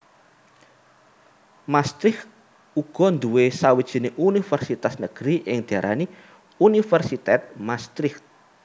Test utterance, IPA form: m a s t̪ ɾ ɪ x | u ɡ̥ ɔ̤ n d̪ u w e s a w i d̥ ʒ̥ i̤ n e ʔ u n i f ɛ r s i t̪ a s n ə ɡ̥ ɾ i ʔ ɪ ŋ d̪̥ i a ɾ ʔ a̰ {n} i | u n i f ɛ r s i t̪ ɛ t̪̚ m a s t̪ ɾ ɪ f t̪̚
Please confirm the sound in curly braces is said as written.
yes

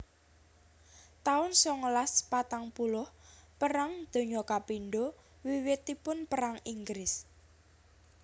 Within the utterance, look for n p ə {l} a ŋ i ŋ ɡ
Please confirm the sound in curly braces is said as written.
no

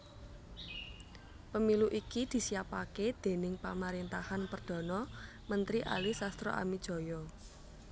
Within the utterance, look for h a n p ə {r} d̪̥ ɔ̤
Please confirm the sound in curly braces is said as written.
yes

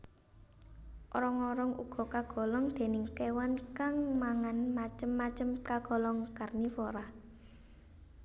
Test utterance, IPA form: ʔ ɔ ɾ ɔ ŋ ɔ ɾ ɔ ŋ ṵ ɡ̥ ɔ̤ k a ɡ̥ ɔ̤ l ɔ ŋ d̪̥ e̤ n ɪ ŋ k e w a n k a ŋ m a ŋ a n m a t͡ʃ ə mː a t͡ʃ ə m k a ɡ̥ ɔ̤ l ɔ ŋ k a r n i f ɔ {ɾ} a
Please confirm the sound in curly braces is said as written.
yes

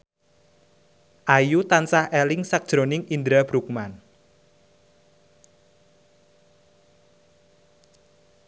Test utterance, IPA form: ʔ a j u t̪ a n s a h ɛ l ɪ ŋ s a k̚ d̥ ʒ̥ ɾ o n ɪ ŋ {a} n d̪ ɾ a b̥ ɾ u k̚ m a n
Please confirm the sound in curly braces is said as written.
no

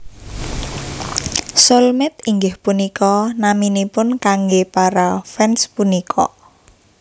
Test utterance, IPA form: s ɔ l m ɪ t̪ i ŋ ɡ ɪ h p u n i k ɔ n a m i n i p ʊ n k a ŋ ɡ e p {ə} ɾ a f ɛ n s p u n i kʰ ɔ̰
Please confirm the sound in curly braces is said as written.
no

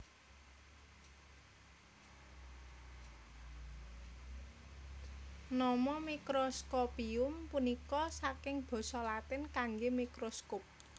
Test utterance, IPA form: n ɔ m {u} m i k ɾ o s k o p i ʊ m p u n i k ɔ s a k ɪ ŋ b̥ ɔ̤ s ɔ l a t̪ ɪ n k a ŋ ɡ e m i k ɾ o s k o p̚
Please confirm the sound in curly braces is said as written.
no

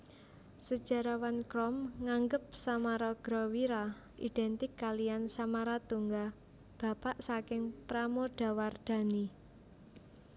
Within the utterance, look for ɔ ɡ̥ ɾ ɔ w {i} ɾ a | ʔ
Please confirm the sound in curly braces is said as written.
yes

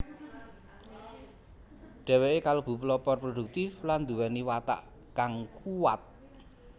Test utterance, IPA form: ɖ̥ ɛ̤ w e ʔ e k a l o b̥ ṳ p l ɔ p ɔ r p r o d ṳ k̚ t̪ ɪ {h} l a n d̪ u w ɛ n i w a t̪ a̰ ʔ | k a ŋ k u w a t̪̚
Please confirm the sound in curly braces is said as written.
no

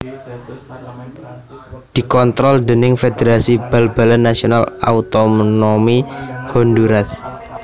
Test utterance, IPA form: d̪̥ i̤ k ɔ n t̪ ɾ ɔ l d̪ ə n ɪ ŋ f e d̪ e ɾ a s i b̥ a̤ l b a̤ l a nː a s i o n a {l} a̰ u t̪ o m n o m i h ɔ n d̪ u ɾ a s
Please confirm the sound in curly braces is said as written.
yes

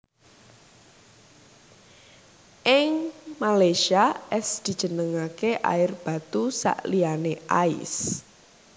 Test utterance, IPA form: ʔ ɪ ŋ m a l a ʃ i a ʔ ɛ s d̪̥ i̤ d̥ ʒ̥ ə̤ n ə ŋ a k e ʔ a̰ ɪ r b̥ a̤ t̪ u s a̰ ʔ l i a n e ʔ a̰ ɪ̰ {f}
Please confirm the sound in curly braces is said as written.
no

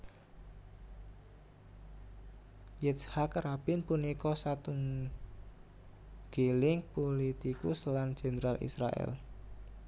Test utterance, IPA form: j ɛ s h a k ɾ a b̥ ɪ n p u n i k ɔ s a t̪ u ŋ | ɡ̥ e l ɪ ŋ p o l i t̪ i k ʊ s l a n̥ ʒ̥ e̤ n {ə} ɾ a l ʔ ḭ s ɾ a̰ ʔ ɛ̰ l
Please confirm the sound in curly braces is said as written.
yes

